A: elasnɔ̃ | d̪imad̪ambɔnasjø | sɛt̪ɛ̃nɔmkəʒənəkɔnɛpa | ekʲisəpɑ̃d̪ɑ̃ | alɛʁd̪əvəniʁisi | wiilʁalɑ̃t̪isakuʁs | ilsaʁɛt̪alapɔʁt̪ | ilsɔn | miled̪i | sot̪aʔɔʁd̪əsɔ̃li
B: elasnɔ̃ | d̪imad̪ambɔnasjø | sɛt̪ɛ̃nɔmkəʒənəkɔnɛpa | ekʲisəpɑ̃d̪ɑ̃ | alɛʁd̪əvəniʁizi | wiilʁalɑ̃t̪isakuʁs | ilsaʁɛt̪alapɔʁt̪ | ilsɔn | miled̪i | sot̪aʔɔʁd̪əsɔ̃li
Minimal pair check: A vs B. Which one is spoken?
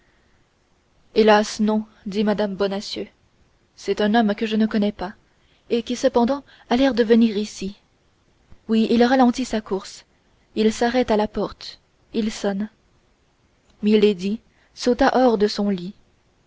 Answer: A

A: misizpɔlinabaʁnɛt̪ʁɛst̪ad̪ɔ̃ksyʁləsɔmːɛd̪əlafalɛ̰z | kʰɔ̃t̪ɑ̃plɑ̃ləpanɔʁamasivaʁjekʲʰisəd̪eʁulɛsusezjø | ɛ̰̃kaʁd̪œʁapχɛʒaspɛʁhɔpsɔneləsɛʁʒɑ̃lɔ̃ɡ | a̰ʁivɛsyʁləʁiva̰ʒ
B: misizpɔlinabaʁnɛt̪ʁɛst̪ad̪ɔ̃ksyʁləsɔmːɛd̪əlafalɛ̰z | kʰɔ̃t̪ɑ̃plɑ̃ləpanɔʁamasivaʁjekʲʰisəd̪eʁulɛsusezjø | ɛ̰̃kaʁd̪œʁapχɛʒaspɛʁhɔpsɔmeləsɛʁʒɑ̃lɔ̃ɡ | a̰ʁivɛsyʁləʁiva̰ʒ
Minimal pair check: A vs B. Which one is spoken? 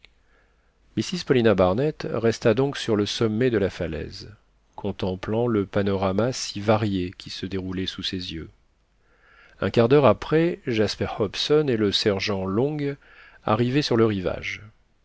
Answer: A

